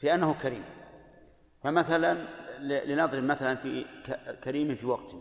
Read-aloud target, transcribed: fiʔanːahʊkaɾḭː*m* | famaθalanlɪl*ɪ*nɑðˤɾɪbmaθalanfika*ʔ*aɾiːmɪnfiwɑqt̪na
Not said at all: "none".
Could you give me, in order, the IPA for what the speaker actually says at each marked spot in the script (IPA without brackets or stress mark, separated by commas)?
m, ɪ, k